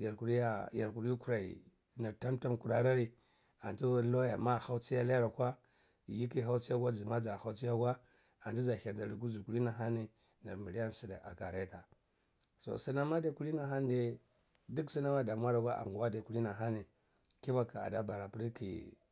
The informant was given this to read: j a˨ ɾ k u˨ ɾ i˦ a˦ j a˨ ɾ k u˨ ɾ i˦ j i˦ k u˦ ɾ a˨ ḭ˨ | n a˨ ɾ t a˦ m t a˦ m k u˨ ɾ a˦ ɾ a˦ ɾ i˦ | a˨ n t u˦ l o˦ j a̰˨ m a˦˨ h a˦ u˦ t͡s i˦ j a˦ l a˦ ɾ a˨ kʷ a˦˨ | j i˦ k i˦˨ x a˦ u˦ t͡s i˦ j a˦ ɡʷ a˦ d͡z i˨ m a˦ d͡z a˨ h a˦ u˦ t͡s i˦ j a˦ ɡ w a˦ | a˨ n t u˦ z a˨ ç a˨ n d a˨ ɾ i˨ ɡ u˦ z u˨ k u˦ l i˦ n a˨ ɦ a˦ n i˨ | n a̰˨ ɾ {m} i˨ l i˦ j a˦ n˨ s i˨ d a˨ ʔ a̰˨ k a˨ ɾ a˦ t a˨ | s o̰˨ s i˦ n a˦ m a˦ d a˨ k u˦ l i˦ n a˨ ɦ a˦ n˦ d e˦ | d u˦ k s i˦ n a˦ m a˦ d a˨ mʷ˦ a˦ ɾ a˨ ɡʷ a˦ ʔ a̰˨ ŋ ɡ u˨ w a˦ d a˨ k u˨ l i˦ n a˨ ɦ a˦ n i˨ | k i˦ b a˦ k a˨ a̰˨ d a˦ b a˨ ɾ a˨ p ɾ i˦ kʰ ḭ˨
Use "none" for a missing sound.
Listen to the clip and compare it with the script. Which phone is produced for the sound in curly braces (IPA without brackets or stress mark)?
m